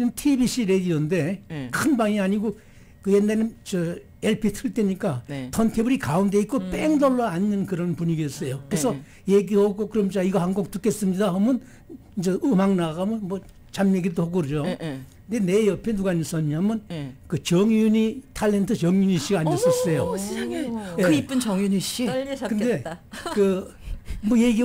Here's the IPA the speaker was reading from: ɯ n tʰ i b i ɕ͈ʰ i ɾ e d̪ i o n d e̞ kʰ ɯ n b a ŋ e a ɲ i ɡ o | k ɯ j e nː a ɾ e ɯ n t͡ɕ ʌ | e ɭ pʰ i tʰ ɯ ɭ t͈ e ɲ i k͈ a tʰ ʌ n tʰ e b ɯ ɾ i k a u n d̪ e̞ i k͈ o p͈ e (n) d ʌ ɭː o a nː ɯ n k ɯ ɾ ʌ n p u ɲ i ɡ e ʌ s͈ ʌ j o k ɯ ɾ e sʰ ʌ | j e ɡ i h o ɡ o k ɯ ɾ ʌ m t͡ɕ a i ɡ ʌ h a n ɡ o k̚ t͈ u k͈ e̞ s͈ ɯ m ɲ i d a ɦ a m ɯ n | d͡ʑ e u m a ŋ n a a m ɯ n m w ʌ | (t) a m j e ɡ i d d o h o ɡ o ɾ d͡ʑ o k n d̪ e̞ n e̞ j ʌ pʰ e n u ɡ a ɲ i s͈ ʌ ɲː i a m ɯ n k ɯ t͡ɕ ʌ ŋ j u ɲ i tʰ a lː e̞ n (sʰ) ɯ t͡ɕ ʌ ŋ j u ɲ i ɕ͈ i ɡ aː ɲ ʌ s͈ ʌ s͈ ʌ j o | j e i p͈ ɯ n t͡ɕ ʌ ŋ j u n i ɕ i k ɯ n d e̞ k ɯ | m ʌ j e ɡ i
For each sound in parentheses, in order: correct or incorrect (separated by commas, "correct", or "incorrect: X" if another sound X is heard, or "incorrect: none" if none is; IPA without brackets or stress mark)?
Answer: incorrect: ŋ, incorrect: t͡ɕ, incorrect: tʰ